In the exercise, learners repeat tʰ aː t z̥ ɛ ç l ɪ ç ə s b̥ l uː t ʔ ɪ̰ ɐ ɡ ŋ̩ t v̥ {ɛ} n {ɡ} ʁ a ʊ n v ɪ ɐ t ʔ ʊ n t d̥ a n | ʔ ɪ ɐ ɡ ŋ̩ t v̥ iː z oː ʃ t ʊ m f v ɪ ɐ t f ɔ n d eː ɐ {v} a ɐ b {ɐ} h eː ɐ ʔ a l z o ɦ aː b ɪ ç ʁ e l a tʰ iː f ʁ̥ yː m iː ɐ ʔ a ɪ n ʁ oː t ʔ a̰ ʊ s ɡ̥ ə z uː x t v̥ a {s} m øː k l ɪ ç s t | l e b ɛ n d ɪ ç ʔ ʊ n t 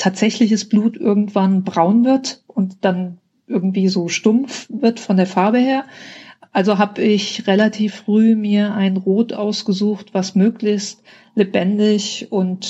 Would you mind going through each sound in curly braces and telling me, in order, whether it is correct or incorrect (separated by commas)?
incorrect, incorrect, incorrect, incorrect, correct